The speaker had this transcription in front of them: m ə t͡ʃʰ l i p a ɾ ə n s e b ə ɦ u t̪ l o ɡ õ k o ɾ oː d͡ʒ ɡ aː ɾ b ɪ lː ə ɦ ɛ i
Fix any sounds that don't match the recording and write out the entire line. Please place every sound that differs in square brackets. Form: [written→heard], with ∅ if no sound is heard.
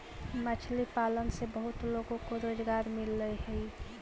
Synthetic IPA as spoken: m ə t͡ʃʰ l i p a [ɾ→l] ə n s e b ə ɦ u t̪ l o ɡ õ k o ɾ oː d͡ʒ ɡ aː ɾ [b→m] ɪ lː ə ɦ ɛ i